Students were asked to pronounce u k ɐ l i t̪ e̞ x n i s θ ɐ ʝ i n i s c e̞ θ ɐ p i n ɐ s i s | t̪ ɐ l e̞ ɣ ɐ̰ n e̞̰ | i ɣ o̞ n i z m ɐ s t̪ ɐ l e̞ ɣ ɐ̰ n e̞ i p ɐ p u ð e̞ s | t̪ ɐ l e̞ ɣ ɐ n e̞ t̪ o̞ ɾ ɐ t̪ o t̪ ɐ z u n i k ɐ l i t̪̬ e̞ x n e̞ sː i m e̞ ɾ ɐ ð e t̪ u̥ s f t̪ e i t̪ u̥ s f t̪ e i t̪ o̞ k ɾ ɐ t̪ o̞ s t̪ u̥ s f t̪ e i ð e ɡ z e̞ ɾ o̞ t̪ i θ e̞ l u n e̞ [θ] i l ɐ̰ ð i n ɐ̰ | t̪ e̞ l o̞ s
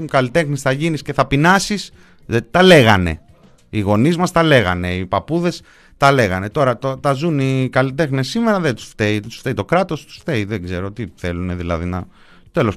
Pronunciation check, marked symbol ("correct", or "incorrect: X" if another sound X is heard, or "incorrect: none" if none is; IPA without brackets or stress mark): incorrect: ð